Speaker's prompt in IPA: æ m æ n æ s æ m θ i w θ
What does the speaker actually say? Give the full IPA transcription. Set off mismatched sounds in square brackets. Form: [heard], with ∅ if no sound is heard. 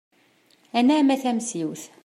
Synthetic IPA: æ [n] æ [m] æ [θ] æ m [s] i w θ